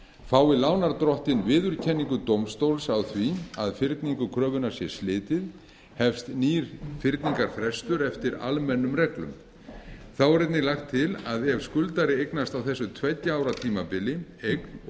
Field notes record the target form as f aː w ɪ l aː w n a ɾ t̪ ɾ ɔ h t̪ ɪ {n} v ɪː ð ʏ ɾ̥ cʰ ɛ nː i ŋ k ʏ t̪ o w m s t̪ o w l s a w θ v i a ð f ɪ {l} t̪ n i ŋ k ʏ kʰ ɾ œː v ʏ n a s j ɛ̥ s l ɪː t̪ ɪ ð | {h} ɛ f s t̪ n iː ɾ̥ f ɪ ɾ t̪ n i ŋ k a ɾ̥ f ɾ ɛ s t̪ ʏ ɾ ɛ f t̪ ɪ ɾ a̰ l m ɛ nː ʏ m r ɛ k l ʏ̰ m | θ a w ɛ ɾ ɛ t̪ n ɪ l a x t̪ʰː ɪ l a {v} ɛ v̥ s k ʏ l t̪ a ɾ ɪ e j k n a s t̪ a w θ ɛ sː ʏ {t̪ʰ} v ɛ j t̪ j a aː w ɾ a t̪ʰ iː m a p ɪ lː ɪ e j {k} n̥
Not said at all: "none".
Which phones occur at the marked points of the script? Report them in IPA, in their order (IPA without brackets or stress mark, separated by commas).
n, ɾ, h, ð, t̪ʰ, k